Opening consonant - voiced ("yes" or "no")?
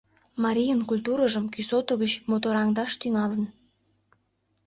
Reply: yes